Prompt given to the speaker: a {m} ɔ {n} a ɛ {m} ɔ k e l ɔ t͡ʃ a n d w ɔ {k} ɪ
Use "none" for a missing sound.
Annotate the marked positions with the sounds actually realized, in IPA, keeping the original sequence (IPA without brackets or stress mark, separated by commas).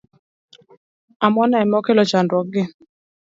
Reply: m, n, m, ɡ